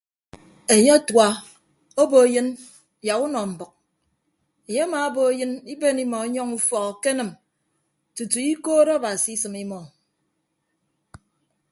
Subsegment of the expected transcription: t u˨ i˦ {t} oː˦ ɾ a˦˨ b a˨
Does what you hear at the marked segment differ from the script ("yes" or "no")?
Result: yes